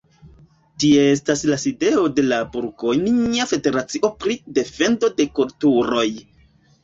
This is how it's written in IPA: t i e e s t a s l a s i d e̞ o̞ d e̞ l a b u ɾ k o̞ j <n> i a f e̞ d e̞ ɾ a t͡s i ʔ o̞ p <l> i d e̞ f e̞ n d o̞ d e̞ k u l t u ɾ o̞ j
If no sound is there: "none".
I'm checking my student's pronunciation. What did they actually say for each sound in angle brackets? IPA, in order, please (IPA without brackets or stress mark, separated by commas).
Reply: n, ɾ